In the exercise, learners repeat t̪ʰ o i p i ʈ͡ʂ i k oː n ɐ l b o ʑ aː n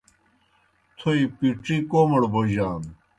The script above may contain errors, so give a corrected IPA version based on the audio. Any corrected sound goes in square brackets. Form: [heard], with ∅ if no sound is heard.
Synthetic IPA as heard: t̪ʰ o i p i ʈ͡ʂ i k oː [m] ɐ [ɽ] b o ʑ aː n